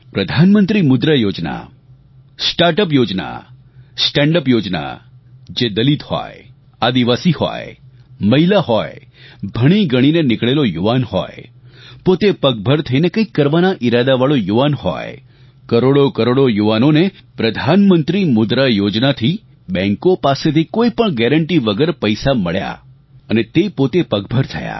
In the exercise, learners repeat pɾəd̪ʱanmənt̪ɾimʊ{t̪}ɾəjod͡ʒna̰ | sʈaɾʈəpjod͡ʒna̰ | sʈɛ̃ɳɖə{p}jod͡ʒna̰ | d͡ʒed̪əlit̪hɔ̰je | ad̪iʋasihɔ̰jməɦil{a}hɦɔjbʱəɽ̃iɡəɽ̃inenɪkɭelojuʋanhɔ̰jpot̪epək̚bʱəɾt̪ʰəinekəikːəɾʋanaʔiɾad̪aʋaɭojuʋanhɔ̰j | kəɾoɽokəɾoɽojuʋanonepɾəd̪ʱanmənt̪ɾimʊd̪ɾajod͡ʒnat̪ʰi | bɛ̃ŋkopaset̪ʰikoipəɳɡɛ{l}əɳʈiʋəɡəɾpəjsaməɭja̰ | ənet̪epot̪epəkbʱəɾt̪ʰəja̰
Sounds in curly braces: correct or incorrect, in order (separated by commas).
incorrect, correct, correct, incorrect